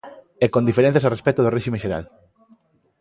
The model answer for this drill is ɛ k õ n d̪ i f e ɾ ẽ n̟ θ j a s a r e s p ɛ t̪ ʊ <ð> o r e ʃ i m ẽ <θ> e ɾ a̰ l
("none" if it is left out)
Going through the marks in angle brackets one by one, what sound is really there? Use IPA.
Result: ð, ʃ

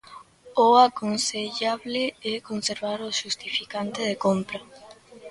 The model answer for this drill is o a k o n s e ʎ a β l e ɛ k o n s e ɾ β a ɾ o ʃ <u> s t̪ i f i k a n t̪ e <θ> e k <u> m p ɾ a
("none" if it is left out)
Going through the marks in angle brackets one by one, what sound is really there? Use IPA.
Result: u, ð, o

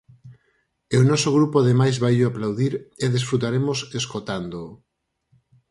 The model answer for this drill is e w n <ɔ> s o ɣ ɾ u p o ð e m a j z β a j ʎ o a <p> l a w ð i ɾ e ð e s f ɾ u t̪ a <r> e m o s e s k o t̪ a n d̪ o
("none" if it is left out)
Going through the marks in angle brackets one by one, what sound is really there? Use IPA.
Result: ɔ, p, ɾ

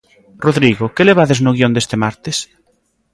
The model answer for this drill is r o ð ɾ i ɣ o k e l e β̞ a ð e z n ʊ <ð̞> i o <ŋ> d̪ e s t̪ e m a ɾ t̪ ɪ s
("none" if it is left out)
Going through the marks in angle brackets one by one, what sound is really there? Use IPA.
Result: ɣ̞, n

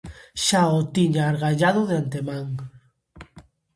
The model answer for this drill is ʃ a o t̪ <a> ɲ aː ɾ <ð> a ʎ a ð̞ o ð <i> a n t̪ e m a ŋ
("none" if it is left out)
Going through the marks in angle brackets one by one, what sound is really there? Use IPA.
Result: i, ɣ, e

